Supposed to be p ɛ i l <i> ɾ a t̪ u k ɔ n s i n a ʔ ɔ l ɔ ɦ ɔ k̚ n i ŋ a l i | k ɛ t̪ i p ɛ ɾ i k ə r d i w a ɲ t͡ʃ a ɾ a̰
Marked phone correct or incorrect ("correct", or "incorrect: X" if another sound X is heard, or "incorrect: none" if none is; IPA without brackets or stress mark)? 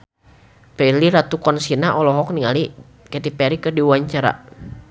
correct